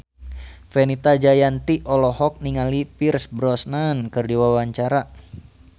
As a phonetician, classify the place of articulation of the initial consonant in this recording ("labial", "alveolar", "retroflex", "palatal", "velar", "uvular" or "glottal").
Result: labial